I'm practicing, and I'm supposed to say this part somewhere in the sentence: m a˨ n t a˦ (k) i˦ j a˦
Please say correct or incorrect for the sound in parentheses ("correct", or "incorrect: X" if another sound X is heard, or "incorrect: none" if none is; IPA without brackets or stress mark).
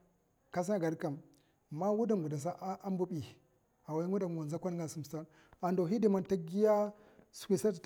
incorrect: ɡ